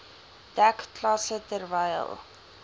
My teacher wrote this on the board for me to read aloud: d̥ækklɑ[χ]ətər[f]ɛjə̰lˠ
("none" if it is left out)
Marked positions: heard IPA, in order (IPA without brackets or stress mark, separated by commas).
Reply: s, v